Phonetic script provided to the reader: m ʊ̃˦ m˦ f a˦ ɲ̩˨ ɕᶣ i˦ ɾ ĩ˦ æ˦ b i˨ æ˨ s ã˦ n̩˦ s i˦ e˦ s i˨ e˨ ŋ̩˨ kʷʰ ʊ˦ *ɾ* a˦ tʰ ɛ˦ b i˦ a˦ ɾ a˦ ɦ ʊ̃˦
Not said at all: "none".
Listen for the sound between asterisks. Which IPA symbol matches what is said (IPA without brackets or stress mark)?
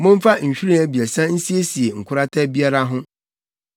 ɾ